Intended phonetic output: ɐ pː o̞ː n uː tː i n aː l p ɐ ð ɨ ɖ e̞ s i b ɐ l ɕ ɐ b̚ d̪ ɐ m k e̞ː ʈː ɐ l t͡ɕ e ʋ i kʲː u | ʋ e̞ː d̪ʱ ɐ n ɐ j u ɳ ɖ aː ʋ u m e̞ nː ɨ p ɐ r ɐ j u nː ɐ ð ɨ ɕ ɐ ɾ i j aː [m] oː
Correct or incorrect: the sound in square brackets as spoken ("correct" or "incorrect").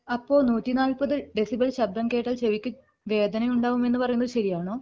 incorrect